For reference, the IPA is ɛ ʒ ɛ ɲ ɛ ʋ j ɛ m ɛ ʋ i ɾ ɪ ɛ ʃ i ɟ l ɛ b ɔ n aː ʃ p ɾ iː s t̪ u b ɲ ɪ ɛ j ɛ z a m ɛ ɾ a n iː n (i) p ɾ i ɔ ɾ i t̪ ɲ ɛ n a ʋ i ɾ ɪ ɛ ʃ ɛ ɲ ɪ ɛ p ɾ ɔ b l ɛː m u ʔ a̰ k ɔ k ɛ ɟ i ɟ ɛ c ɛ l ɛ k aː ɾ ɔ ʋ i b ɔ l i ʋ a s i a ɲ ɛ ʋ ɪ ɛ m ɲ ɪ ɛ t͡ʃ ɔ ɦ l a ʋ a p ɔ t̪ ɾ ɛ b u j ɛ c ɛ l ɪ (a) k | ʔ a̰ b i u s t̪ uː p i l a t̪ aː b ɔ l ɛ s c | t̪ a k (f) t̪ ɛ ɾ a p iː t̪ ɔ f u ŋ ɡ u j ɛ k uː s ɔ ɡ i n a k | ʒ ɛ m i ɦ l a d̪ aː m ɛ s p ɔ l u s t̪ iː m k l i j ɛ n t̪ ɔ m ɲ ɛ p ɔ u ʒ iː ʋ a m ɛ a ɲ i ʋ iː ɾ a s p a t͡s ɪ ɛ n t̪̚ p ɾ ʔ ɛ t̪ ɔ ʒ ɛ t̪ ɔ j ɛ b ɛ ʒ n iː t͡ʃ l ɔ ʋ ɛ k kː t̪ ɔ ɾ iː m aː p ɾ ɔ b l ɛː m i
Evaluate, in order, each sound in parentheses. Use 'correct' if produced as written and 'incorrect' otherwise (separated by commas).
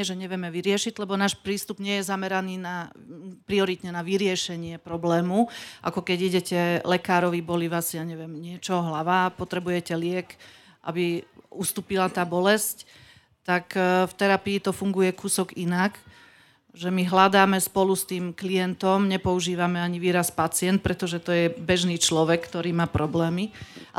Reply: incorrect, incorrect, correct